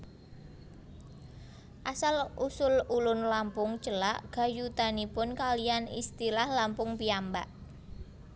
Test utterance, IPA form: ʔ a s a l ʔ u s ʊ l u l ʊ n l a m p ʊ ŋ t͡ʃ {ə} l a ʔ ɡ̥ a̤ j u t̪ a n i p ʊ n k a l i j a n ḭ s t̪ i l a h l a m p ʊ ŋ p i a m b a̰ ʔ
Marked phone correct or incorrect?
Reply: correct